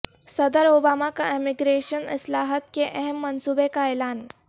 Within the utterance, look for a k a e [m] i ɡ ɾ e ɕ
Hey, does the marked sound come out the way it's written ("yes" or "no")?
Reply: yes